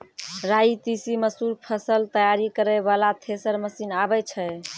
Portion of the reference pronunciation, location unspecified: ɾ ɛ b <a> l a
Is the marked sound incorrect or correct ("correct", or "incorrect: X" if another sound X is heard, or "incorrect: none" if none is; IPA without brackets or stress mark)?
correct